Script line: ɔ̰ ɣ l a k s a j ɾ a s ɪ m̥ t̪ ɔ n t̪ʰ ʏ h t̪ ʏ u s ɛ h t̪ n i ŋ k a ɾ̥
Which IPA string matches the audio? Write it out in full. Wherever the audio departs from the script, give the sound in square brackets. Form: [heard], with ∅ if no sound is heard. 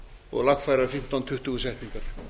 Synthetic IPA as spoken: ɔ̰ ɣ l a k [f] a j ɾ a [f] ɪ m̥ t̪ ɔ n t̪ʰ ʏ h t̪ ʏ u s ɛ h t̪ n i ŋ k a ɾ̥